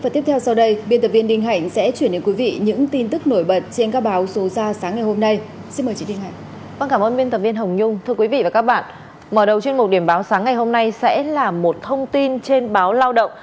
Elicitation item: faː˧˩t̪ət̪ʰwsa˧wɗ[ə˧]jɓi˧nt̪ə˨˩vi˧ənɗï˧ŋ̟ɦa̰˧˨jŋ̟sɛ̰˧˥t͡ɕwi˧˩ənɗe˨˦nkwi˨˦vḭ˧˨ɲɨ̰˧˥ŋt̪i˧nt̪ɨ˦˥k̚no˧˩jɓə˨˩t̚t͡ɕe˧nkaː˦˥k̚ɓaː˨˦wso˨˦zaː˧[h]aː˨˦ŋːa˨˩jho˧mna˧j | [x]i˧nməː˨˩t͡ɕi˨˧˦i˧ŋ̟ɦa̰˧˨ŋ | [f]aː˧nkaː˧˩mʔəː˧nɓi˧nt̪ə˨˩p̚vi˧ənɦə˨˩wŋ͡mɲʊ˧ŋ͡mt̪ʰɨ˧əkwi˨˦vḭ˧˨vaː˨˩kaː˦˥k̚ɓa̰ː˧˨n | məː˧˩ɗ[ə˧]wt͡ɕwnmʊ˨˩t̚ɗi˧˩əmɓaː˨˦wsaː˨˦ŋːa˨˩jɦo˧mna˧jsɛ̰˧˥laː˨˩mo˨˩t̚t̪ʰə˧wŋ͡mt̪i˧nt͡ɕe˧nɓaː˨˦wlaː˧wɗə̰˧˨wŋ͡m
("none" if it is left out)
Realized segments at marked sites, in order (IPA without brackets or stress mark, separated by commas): ə˧, s, s, v, ə˨˩